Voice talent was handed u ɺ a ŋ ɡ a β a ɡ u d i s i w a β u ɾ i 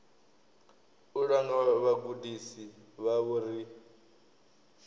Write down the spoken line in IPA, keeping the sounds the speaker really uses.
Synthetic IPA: u ɺ a ŋ ɡ a β a ɡ u d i s i β a β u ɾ i